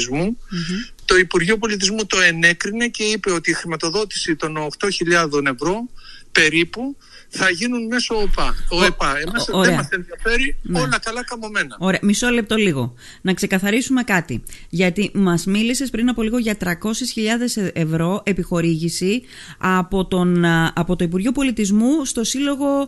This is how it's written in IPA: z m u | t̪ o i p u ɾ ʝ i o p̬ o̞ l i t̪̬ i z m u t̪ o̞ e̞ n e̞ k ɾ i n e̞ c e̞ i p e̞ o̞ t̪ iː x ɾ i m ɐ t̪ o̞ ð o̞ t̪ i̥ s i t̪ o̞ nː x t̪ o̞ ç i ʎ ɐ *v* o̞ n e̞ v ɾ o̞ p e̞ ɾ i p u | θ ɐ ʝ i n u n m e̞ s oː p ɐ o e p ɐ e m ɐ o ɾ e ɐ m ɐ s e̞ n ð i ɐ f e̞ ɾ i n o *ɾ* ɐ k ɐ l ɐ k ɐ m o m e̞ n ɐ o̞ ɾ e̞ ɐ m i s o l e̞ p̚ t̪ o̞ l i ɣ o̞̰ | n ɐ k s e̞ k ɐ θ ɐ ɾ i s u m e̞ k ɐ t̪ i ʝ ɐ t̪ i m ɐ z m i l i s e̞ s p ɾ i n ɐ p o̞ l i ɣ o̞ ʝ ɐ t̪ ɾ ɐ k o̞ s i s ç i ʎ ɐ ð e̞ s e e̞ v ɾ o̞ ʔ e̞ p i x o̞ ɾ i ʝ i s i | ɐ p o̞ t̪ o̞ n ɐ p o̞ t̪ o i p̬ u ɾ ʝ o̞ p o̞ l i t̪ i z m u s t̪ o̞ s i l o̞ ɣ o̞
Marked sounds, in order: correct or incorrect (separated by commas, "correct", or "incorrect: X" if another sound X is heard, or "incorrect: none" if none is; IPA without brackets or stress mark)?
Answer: incorrect: ð, incorrect: l